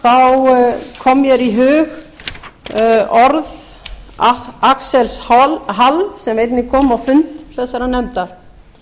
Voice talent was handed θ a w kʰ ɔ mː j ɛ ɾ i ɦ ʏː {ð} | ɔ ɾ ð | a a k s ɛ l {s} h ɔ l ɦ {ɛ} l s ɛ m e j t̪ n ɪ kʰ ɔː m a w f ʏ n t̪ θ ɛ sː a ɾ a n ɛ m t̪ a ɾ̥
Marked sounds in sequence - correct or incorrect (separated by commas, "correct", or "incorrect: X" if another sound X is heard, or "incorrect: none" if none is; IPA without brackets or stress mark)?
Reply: incorrect: ɣ, correct, incorrect: a